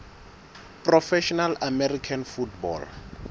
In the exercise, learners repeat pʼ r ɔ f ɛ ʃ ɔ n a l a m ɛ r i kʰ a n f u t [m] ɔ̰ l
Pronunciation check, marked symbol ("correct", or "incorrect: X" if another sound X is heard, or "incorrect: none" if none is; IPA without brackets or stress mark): incorrect: b